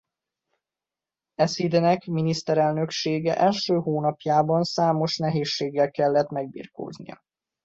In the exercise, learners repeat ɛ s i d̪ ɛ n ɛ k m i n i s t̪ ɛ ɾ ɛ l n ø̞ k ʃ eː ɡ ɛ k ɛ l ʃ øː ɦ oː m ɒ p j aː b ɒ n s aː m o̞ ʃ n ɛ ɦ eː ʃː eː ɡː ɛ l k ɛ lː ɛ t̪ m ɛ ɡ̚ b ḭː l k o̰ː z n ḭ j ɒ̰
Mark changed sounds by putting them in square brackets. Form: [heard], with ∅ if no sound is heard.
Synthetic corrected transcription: ɛ s i d̪ ɛ n ɛ k m i n i s t̪ ɛ ɾ ɛ l n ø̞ k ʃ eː ɡ ɛ [ʔ] ɛ l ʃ øː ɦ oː [n] ɒ p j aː b ɒ n s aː m o̞ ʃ n ɛ ɦ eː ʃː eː ɡː ɛ l k ɛ lː ɛ t̪ m ɛ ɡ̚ b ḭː [r] k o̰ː z n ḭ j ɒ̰